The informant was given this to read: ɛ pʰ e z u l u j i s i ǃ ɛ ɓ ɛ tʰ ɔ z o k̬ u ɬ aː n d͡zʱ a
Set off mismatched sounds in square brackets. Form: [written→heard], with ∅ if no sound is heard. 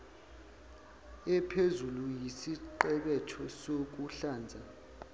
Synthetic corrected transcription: ɛ pʰ e z u l u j i s i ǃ ɛ ɓ ɛ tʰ ɔ [z→s] o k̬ u ɬ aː n d͡zʱ a